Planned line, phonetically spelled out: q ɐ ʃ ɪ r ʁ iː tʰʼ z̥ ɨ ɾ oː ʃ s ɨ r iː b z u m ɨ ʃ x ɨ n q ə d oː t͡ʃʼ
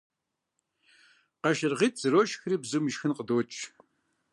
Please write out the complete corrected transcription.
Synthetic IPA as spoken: q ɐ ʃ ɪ r ʁ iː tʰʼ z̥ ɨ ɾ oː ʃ x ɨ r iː b z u m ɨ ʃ x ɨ n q ə d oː t͡ʃʼ